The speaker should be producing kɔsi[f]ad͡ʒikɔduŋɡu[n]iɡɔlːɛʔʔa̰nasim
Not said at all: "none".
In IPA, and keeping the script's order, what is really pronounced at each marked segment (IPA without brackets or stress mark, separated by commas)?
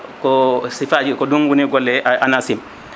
f, n